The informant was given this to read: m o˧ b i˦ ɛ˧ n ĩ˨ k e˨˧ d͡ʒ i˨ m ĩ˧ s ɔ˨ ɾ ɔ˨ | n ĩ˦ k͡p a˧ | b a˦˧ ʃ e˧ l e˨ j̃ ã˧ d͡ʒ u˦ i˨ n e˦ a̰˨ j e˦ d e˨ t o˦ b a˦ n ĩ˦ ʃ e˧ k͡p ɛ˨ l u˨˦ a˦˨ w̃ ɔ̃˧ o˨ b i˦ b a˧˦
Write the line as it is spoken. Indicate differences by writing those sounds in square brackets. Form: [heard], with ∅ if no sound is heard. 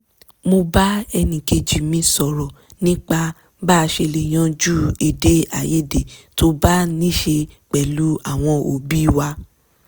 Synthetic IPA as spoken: m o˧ b [a˦] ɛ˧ n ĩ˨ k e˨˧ d͡ʒ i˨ m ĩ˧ s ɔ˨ ɾ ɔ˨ | n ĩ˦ k͡p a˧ | b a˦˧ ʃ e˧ l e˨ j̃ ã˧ d͡ʒ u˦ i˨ [d] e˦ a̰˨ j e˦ d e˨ t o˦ b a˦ n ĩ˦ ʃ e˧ k͡p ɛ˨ l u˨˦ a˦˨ w̃ ɔ̃˧ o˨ b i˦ [w] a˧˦